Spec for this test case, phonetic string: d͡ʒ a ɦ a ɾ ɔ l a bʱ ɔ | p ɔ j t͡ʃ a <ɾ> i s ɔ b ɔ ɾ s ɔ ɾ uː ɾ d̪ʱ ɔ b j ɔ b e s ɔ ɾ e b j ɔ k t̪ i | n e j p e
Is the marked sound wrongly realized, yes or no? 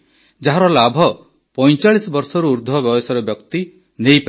yes